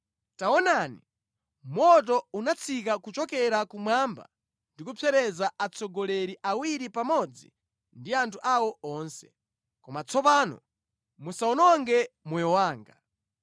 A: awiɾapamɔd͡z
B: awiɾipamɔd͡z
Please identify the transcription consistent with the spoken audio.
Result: B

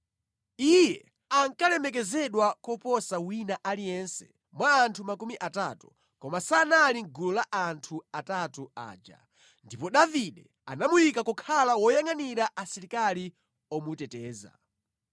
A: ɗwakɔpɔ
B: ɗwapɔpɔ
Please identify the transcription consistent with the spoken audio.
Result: A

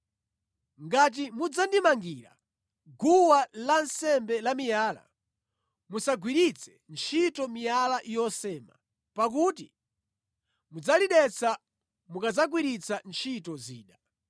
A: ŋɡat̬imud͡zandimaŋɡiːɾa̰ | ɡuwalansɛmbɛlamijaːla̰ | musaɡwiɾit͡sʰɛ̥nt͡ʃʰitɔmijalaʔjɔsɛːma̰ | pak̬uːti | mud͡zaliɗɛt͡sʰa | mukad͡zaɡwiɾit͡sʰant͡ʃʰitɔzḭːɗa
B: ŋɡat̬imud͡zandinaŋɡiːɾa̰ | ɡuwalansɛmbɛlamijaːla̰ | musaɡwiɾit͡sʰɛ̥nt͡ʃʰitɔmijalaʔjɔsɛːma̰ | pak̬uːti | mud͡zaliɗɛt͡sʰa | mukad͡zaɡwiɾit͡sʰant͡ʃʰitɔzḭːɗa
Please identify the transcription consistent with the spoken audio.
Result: A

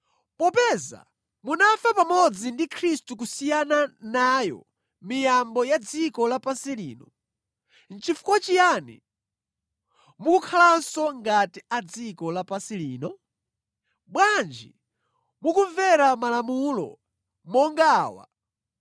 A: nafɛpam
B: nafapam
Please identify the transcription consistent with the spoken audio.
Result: B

